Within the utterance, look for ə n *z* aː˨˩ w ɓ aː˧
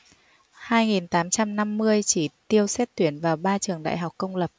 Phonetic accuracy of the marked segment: incorrect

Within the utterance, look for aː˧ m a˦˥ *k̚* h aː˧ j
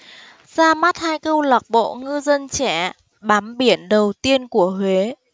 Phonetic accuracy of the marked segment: incorrect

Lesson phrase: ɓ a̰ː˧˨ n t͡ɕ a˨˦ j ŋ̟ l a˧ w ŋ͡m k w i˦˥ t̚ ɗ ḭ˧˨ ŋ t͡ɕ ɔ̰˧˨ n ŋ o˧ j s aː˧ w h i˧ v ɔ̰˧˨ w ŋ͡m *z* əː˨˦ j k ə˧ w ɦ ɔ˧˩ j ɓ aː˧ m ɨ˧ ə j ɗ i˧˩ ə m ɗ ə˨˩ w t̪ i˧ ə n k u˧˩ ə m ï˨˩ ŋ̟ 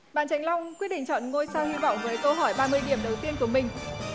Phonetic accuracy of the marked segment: incorrect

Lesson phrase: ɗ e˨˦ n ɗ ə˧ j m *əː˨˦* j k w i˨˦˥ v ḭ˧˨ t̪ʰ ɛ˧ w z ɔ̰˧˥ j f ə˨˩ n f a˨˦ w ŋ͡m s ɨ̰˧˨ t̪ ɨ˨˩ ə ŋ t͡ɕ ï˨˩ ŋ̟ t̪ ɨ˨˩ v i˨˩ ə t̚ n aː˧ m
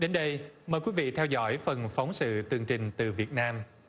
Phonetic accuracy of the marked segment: incorrect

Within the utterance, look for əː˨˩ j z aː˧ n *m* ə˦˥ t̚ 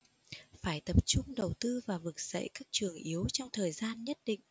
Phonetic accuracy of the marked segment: incorrect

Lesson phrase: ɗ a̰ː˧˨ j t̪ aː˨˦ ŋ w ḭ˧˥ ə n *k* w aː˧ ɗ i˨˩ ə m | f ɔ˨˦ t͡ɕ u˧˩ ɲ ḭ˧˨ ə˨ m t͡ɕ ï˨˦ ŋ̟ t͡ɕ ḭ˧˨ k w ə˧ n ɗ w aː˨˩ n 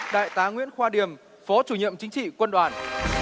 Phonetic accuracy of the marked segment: incorrect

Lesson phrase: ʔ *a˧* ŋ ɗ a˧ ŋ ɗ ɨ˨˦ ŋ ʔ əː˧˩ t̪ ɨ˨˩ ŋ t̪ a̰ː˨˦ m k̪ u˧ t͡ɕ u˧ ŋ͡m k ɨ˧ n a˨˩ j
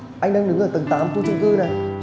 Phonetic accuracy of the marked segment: correct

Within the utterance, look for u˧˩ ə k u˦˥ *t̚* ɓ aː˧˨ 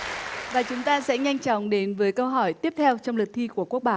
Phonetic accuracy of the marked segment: incorrect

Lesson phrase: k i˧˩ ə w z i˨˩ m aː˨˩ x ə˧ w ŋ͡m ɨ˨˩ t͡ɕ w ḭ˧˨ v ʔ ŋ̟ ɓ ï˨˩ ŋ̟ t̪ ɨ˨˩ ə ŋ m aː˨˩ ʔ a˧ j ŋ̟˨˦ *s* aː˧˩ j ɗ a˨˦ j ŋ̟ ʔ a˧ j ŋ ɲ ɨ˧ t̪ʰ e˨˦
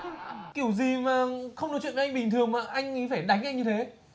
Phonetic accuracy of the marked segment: incorrect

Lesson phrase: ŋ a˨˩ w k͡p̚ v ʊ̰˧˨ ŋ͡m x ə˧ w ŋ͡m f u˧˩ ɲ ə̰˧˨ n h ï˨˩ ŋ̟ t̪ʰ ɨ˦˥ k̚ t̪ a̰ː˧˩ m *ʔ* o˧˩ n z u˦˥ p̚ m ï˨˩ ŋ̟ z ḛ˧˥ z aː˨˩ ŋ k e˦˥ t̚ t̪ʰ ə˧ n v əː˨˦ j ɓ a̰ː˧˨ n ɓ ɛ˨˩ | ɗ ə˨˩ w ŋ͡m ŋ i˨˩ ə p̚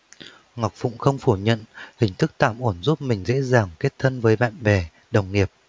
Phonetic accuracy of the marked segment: correct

